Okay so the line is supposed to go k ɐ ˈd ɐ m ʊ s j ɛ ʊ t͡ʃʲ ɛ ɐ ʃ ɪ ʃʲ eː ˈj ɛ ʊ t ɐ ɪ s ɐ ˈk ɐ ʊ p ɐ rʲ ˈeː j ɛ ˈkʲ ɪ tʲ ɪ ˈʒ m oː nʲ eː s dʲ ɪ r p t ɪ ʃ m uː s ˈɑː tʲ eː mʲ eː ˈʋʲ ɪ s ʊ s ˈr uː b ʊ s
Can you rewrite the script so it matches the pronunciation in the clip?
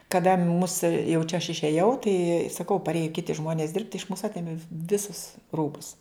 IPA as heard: k ɐ ˈd ɐ m ʊ s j ɛ ʊ t͡ʃʲ ɛ ɐ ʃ ɪ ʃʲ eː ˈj ɛ ʊ t ɐ ɪ s ɐ ˈk ɐ ʊ p ɐ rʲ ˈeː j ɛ ˈkʲ ɪ tʲ ɪ ˈʒ m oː nʲ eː s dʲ ɪ r p t ɪ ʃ m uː s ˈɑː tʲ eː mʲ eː ˈʋʲ ɪ s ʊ s ˈr uː b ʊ s